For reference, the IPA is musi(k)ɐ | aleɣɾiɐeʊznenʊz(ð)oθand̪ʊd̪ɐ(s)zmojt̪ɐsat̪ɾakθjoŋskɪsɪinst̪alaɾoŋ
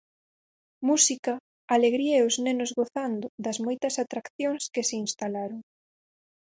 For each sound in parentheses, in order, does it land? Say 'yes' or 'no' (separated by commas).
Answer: yes, no, no